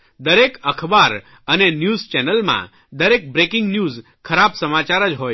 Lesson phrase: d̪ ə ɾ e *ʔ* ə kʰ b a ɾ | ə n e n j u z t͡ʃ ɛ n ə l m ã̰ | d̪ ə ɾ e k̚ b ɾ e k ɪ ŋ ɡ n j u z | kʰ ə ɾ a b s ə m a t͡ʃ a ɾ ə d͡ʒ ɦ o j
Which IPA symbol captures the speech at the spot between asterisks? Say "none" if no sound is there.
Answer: k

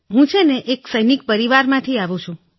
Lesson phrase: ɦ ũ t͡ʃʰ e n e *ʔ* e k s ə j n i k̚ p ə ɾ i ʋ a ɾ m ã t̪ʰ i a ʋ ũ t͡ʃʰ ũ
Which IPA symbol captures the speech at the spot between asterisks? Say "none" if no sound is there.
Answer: ʔ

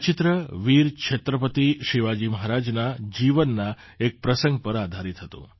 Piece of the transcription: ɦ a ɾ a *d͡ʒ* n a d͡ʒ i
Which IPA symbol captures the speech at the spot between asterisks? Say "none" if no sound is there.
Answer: d͡ʒ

